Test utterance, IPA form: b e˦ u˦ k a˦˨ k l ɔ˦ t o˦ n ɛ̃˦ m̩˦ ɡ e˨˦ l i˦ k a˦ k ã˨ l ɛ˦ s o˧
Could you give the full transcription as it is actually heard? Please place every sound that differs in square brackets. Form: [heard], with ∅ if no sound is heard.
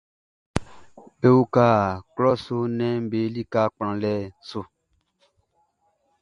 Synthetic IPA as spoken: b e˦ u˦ k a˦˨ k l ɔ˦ [s] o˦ n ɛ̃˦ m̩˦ [b] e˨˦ l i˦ k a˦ [k͡p] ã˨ l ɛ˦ s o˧